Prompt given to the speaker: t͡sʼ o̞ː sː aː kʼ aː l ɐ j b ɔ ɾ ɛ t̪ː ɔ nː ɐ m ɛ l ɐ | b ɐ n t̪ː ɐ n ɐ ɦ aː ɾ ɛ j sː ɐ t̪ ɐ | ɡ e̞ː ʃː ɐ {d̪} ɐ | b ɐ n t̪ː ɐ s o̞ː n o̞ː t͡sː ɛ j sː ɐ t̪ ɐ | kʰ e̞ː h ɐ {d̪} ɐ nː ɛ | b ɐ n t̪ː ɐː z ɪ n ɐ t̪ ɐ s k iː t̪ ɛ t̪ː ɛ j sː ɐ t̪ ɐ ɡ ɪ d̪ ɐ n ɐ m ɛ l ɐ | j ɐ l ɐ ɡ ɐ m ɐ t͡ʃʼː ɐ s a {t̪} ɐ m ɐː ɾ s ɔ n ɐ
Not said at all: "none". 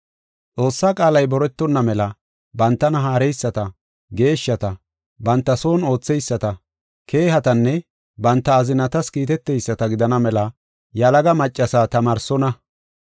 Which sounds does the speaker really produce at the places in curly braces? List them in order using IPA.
t̪, t̪, t̪

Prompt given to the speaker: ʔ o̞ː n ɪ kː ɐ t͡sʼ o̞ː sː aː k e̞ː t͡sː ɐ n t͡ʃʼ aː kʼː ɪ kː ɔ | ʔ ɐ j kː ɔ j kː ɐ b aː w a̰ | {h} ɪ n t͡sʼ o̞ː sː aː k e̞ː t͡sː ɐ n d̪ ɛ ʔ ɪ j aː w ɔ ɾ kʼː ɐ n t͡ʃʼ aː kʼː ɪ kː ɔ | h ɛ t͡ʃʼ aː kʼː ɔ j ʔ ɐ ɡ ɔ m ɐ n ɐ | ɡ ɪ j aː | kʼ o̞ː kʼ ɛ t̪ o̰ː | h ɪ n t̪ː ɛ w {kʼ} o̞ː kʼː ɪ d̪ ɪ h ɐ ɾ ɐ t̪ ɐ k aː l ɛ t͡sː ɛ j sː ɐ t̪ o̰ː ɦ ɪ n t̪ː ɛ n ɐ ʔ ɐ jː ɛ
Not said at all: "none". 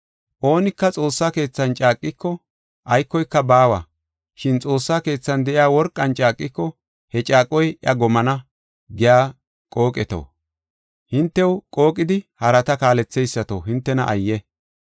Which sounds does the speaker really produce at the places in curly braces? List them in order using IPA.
ʃ, kʼ

